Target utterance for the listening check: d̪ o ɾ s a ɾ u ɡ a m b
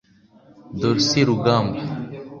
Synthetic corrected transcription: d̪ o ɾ s i ɾ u ɡ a m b